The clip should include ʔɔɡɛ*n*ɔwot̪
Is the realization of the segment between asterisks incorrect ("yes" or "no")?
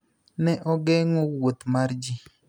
yes